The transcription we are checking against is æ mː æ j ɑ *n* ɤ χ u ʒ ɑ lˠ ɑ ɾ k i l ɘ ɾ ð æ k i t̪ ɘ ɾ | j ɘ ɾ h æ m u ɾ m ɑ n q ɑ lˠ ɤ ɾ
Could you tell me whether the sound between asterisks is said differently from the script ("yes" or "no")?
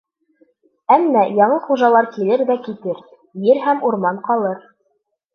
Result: yes